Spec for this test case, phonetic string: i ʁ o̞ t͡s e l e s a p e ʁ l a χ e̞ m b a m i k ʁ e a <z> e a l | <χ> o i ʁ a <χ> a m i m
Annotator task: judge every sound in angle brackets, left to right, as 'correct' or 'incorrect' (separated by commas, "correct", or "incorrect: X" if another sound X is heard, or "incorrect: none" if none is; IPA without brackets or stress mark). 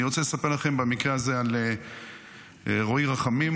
correct, incorrect: ʁ, correct